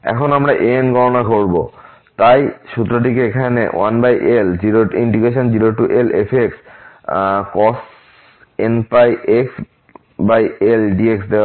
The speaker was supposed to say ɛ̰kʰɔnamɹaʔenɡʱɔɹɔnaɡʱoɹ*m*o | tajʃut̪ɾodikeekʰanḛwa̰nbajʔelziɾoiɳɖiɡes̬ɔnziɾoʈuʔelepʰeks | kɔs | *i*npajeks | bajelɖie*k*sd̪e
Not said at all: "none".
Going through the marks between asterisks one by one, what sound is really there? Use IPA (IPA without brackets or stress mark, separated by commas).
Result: b, e, k